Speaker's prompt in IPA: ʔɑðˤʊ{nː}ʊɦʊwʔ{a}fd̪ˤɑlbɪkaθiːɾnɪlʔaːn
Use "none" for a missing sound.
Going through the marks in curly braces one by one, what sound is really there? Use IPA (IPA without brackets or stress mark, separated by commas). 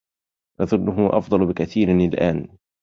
nː, ɑ